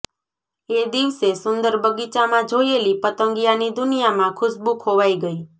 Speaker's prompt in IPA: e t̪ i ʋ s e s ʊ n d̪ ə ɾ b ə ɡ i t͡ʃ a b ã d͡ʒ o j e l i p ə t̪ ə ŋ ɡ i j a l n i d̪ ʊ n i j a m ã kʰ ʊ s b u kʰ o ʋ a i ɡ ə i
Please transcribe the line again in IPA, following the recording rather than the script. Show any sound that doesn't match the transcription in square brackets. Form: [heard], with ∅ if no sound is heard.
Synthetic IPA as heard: e [d̪] i ʋ s e s ʊ n d̪ ə ɾ b ə ɡ i t͡ʃ a [m] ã d͡ʒ o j e l i p ə t̪ ə ŋ ɡ i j a [∅] n i d̪ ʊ n i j a m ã kʰ ʊ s b u kʰ o ʋ a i ɡ ə i